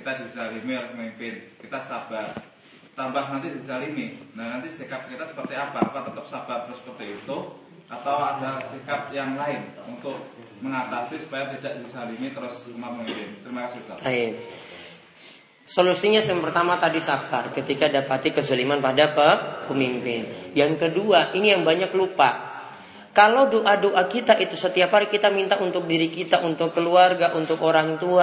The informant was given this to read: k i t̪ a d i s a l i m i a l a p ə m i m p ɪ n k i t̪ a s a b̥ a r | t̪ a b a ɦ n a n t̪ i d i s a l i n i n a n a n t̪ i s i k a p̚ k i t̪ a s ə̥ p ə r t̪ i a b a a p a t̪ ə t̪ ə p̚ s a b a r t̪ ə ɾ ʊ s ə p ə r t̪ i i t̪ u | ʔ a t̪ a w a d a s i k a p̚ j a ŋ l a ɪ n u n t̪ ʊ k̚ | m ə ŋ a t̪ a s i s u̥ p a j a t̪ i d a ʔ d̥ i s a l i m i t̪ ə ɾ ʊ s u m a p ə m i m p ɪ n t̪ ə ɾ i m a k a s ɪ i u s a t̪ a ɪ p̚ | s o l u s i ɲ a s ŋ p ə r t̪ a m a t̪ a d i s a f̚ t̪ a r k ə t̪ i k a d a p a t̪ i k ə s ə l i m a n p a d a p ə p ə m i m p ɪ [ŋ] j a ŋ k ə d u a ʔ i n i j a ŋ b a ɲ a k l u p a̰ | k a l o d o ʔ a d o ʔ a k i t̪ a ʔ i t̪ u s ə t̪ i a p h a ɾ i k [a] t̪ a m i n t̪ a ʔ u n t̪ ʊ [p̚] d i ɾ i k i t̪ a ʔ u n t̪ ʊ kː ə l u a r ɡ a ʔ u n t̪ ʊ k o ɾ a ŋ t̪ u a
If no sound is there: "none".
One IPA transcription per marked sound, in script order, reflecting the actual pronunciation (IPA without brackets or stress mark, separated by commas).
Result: n, i, k̚